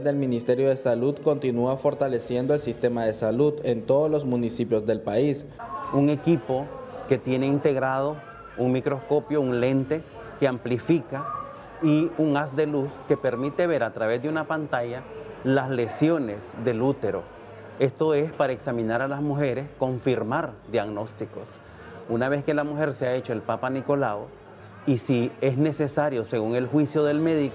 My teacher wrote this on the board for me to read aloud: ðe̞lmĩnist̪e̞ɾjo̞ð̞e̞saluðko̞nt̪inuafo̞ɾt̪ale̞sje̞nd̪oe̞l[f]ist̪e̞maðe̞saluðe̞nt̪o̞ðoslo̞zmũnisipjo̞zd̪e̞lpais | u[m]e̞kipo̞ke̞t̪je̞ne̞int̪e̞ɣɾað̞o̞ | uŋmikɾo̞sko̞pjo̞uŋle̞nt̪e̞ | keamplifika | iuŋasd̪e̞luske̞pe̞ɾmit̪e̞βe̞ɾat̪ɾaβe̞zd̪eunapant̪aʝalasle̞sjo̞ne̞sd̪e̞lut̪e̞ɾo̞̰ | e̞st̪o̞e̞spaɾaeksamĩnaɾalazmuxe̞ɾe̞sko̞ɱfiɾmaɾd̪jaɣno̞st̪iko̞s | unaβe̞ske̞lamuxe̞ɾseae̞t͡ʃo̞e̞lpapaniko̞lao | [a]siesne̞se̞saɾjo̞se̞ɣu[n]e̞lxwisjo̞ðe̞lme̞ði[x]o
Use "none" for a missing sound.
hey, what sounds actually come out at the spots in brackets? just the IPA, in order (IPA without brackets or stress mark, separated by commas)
s, ŋ, i, ŋ, k